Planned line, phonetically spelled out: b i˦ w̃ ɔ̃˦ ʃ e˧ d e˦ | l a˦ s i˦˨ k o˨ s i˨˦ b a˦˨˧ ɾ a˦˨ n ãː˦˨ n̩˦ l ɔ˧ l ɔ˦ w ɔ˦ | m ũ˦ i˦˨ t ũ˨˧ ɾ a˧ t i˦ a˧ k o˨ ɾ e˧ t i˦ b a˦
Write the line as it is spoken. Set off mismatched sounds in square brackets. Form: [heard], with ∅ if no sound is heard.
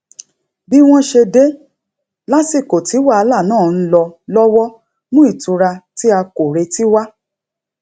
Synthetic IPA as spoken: b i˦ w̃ ɔ̃˦ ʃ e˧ d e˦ | l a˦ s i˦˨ k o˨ [t] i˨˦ [w] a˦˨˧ [l] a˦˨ n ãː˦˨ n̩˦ l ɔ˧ l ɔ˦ w ɔ˦ | m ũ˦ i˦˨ t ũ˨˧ ɾ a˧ t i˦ a˧ k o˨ ɾ e˧ t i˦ [w] a˦